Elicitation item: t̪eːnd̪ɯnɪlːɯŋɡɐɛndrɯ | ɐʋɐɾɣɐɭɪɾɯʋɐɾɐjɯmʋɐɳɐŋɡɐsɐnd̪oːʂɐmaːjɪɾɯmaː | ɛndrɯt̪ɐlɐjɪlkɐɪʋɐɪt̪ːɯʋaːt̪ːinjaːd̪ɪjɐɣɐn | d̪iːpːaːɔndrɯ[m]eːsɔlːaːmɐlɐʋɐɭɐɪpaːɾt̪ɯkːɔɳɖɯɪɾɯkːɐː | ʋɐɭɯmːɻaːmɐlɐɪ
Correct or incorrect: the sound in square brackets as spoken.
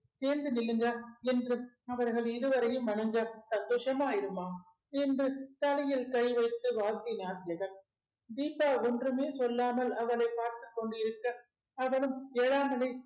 correct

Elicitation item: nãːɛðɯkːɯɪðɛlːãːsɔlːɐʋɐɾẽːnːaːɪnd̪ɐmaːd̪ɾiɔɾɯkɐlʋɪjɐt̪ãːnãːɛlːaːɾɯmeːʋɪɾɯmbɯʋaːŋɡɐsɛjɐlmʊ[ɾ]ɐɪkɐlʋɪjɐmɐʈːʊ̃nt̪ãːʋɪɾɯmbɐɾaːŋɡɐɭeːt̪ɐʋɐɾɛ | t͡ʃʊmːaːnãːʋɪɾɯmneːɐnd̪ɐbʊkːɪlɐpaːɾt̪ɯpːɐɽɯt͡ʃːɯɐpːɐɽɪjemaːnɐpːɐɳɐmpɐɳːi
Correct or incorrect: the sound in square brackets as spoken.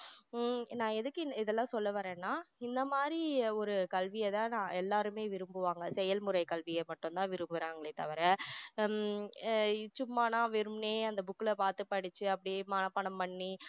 correct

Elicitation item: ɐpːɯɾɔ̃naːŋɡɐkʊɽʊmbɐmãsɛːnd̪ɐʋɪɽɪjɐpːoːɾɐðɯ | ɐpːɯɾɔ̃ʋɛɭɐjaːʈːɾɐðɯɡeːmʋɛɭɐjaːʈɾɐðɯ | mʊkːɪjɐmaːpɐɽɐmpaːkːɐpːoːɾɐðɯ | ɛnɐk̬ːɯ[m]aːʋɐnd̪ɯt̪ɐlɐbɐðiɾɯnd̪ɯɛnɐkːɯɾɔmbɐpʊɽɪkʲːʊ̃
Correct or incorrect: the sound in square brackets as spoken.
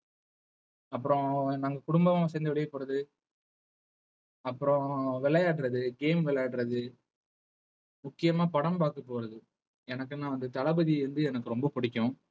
incorrect: n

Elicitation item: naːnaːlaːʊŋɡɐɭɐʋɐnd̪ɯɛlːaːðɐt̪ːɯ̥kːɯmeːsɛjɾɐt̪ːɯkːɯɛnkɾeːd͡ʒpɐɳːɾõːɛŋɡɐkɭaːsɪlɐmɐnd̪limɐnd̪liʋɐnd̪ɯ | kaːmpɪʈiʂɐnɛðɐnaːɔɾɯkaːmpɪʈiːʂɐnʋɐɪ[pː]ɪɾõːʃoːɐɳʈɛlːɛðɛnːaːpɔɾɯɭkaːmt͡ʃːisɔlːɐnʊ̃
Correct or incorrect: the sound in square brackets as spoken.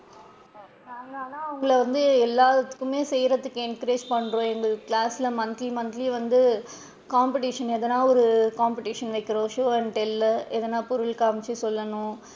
incorrect: kː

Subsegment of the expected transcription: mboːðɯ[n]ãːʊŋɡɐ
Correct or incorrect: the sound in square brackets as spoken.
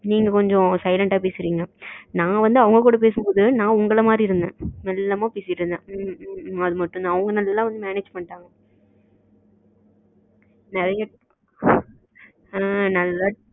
correct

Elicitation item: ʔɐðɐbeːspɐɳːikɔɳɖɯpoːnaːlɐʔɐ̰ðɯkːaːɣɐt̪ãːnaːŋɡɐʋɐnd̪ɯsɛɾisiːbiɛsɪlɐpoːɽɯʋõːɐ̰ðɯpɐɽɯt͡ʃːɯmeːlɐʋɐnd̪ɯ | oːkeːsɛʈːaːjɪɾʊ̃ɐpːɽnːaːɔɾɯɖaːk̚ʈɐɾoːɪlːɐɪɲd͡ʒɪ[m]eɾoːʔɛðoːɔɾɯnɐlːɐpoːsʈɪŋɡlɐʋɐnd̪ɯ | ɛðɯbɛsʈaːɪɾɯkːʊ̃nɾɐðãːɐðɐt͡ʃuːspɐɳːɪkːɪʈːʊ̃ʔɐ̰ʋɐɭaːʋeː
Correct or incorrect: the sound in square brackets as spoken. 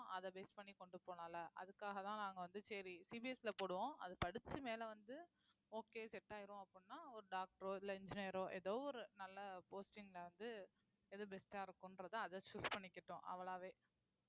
incorrect: n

